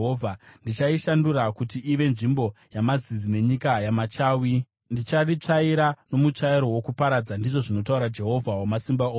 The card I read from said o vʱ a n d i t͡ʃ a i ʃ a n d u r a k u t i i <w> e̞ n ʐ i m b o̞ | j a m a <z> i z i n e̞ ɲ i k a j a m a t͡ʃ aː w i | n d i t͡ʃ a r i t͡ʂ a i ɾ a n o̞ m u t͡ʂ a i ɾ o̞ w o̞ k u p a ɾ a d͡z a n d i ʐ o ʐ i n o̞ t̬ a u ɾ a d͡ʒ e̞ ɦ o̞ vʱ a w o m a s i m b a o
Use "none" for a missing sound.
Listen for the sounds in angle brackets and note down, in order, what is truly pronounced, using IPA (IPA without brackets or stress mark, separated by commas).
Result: ʋ, z